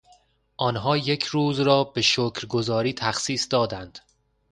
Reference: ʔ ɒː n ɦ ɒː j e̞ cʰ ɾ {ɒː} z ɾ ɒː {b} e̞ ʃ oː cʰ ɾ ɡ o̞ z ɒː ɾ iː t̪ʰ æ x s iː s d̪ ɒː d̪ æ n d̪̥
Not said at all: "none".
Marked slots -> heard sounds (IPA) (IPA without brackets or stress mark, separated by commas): uː, b